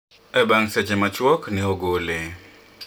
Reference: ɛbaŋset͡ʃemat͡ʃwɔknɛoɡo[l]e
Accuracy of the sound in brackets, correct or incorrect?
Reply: correct